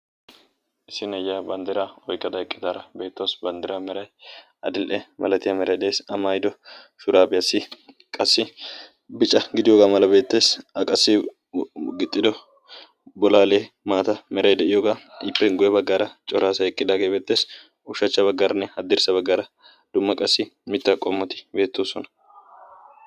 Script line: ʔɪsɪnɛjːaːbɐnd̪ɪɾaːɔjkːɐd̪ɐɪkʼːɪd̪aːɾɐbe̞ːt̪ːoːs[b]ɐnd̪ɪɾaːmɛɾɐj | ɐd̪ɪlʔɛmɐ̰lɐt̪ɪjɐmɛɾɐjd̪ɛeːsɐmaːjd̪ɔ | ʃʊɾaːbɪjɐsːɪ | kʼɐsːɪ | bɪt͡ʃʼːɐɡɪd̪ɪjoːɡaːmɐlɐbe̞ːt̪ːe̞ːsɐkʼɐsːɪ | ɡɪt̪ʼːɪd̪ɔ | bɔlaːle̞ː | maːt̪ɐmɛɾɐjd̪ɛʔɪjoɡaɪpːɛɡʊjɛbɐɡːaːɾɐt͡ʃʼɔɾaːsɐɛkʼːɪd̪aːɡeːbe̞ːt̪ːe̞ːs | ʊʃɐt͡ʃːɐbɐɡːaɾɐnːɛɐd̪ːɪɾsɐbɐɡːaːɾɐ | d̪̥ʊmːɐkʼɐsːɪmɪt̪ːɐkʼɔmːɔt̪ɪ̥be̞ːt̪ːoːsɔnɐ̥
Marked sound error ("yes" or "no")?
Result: no